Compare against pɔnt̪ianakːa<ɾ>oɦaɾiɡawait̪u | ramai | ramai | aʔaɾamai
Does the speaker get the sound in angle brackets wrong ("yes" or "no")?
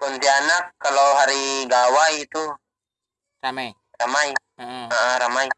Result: yes